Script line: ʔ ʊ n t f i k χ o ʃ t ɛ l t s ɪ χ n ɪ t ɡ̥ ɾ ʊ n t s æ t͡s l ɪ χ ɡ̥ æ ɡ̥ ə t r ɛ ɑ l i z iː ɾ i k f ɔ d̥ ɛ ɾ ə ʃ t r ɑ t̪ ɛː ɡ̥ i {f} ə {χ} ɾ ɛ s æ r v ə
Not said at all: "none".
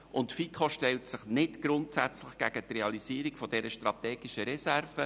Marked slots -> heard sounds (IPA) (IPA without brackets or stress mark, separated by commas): ʃ, none